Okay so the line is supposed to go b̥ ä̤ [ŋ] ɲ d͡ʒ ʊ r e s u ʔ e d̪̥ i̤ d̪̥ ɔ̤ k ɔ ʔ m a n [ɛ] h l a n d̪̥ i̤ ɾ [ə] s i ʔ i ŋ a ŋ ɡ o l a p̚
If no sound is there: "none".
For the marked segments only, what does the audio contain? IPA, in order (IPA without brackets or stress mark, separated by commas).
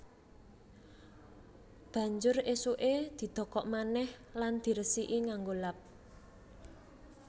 none, ɛ, ə